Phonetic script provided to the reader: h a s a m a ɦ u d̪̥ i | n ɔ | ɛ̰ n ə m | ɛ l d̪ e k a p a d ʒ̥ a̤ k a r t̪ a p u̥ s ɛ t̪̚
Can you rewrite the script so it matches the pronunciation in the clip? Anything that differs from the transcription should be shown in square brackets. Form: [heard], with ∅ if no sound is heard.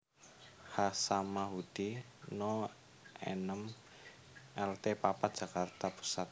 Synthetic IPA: h a s a m a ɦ u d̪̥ i | n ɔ | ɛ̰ n ə m | ɛ l [t̪] e [p] a p a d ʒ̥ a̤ k a r t̪ a p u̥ s [a] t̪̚